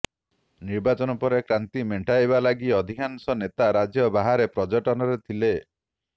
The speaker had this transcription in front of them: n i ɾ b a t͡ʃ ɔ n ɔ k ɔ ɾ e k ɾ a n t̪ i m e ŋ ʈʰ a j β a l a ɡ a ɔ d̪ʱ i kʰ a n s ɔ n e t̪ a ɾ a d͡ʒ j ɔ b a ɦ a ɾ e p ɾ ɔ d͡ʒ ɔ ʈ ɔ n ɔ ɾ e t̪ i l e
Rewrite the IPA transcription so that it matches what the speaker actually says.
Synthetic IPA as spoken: n i ɾ b a t͡ʃ ɔ n ɔ p ɔ ɾ e k ɾ a n t̪ i m e ɳ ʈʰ a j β a l a ɡ i ɔ d̪ʱ i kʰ a n s ɔ n e t̪ a ɾ a d͡ʒ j ɔ b a ɦ a ɾ e p ɾ ɔ d͡ʒ ɔ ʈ ɔ n ɔ ɾ e t̪ʰ i l e